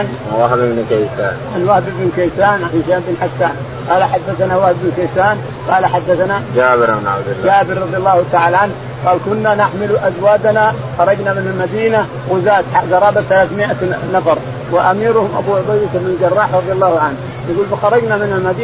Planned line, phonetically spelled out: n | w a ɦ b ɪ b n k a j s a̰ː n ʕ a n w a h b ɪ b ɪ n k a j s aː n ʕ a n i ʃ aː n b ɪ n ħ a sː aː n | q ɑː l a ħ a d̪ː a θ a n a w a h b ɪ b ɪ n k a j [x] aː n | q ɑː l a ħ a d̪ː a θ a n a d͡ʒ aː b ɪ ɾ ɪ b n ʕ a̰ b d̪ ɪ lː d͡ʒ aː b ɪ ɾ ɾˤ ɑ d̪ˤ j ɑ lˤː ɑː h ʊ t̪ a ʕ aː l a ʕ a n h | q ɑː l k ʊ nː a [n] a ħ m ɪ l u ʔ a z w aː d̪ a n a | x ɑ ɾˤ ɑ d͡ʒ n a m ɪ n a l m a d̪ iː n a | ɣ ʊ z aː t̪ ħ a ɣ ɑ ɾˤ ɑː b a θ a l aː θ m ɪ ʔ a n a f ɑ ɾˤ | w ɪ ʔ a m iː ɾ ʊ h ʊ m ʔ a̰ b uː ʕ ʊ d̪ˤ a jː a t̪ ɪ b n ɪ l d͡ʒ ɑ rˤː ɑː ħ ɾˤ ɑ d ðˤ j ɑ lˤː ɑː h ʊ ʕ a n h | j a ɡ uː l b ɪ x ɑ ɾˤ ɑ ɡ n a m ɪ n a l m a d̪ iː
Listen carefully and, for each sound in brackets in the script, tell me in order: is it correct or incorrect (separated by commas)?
incorrect, correct